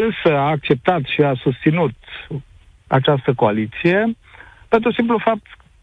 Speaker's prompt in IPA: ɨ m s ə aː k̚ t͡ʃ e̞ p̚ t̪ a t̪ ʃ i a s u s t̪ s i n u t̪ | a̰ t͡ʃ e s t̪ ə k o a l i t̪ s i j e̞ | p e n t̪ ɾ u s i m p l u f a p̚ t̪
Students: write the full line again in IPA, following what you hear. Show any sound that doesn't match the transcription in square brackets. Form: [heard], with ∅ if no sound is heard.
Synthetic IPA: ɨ [n] s ə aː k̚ t͡ʃ e̞ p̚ t̪ a t̪ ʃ i a s u s t̪ s i n u t̪ | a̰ t͡ʃ [a] s t̪ ə k o a l i t̪ s i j e̞ | p e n t̪ ɾ u s i m p l u f a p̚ t̪